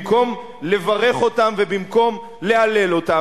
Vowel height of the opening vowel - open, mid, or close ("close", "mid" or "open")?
mid